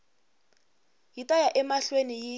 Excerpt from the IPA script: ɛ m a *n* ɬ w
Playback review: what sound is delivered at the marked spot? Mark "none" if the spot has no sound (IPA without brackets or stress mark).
none